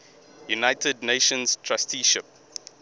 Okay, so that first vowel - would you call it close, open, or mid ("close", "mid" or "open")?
close